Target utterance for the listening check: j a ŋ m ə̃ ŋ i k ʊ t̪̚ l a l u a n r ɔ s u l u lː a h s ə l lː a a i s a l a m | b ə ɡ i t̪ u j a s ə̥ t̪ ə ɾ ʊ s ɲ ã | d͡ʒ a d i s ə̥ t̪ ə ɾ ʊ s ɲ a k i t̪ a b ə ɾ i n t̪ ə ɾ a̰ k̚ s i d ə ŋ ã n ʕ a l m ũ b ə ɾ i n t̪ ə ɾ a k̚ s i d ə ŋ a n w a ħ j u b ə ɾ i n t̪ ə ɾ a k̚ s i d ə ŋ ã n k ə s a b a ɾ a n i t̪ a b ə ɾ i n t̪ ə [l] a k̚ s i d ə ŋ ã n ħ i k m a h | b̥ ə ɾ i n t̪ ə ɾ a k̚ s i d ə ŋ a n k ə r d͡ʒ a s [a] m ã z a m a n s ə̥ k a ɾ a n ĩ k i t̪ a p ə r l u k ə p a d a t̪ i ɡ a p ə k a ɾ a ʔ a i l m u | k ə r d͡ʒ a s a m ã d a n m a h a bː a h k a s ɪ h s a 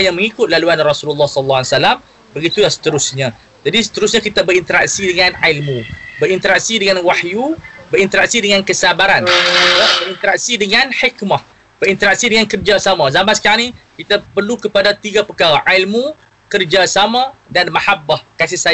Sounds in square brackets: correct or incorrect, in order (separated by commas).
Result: incorrect, correct